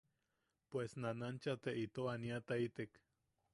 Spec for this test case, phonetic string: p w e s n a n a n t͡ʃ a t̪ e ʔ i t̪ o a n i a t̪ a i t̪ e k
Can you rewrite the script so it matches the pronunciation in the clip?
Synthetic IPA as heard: p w e s n a n a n t͡ʃ a t̪ e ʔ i t̪ o a n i a t̪ a i t̪ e k